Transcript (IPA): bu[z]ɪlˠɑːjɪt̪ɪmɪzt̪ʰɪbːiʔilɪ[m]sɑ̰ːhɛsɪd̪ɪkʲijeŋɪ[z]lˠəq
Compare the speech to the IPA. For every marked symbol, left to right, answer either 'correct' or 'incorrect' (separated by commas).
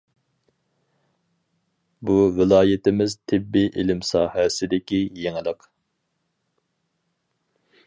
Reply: incorrect, correct, incorrect